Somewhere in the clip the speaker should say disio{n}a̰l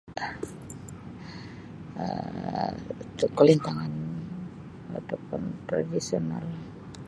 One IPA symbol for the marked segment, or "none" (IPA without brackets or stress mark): n